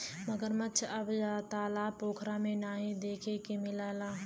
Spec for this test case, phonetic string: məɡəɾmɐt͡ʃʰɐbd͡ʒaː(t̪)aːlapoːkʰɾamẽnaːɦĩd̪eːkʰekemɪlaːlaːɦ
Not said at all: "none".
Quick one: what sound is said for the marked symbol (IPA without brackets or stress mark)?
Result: t̪